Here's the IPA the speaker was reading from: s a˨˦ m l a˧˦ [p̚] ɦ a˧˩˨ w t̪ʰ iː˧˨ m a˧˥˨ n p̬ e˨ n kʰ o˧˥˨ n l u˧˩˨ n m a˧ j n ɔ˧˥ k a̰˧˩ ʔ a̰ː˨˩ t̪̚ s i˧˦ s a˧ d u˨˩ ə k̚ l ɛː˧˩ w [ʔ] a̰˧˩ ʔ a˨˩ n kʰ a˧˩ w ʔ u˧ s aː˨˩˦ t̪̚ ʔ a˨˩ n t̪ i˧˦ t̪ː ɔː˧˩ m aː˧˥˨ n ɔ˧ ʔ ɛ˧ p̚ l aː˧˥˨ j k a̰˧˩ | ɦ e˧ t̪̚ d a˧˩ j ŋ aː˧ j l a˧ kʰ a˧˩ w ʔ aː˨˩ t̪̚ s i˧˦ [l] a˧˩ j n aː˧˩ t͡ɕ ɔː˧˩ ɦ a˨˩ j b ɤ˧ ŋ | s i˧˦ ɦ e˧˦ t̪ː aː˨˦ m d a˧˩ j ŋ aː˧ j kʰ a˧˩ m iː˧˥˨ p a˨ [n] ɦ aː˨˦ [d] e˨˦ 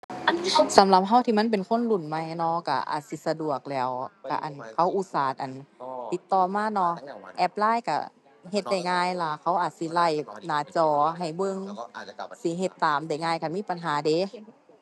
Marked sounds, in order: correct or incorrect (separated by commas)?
correct, incorrect, correct, correct, correct